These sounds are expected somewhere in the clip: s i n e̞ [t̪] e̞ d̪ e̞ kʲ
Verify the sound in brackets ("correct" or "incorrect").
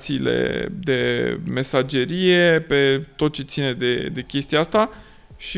incorrect